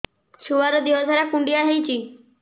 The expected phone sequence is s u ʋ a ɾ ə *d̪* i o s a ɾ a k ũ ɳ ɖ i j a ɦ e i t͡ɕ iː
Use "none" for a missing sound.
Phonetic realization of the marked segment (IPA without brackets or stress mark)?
d̪